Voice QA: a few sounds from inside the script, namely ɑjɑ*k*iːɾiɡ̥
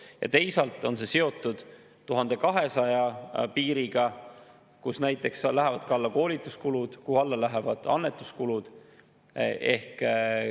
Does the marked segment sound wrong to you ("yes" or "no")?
yes